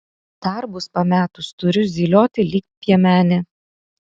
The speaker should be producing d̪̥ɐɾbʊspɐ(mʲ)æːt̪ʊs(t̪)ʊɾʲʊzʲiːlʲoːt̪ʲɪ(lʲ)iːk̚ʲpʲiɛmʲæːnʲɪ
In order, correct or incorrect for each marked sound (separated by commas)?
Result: correct, correct, correct